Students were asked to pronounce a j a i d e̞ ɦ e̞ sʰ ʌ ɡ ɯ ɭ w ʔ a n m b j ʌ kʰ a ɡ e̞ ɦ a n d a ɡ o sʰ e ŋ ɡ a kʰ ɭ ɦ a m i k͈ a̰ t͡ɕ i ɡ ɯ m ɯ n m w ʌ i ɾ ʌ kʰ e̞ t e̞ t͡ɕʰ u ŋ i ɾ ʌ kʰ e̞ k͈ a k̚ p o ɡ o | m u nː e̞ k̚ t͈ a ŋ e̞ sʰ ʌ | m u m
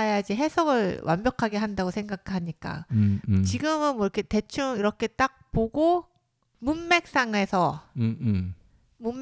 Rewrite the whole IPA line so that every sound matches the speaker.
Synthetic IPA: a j a i d͡ʑ e̞ ɦ e̞ sʰ ʌ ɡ ɯ ɭ w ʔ a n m b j ʌ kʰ a ɡ e̞ ɦ a n d a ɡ o sʰ e ŋ ɡ a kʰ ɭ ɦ a ɲ i k͈ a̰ t͡ɕ i ɡ ɯ m ɯ n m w ʌ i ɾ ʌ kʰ e̞ t e̞ t͡ɕʰ u ŋ i ɾ ʌ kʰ e̞ t͈ a k̚ p o ɡ o | m u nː e̞ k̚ s͈ a ŋ e̞ sʰ ʌ | m u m